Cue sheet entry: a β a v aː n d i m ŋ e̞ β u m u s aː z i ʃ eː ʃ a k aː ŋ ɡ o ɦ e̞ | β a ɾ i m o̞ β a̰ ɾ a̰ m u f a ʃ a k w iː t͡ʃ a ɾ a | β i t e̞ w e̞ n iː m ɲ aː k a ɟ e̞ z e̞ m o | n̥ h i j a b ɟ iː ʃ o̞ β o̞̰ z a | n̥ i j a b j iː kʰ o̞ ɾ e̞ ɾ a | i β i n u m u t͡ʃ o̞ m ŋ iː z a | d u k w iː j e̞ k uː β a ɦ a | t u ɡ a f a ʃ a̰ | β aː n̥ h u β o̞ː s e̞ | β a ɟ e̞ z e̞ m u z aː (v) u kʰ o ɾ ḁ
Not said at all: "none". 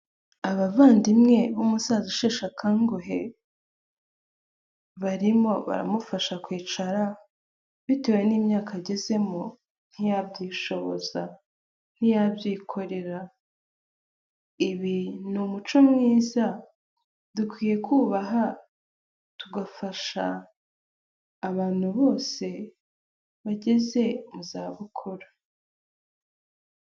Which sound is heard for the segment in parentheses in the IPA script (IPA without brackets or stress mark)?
β